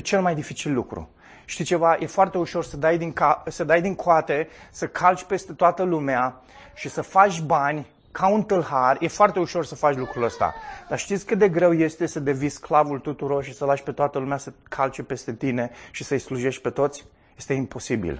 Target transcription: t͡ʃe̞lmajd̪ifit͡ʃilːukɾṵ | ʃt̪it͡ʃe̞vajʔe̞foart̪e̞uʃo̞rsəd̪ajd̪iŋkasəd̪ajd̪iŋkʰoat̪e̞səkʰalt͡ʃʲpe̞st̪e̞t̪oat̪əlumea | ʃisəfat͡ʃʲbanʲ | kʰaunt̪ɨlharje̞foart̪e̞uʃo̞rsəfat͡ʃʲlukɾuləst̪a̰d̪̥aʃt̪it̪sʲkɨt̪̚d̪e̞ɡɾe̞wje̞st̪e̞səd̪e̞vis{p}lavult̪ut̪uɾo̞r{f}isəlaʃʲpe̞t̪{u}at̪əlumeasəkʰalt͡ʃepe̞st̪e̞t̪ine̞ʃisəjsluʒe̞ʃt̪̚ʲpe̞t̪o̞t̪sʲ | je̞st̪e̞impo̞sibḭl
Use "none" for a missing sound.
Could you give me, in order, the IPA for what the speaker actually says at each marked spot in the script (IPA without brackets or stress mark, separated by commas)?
k, ʃ, o